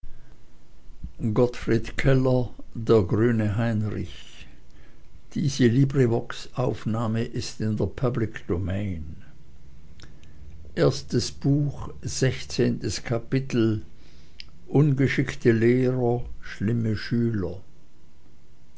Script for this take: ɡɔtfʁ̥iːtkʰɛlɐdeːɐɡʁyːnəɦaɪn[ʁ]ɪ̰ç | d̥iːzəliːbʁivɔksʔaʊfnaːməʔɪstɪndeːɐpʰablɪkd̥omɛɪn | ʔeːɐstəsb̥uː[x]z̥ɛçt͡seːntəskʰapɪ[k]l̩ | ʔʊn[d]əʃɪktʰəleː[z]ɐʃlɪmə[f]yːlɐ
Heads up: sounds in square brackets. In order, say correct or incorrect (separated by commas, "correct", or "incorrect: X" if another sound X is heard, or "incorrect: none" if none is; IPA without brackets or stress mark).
correct, correct, incorrect: t, incorrect: ɡ, incorrect: ʁ, incorrect: ʃ